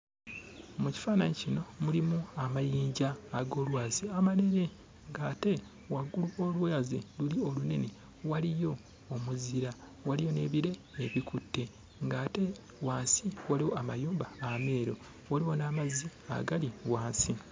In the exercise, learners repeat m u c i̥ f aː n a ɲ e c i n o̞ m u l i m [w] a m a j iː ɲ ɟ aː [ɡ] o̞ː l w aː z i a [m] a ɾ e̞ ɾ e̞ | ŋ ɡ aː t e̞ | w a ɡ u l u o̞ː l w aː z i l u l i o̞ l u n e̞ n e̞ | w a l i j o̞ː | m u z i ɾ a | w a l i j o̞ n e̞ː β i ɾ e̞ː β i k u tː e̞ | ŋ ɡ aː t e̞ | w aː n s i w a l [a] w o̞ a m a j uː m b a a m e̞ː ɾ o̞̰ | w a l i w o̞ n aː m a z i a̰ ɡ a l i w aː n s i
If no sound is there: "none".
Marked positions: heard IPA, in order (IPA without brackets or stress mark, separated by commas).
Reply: u, ɡ, m, i